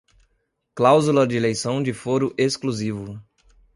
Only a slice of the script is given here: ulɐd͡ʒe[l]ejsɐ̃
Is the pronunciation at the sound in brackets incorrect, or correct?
correct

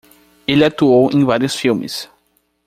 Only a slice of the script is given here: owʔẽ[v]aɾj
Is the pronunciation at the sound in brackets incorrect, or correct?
correct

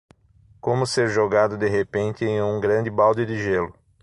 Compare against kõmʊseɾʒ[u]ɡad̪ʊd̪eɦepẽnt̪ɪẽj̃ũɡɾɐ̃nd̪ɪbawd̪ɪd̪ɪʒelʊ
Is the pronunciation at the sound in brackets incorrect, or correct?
incorrect: o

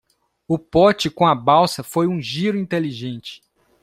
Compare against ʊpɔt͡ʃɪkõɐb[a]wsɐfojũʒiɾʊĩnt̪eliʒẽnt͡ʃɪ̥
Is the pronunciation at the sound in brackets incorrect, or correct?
correct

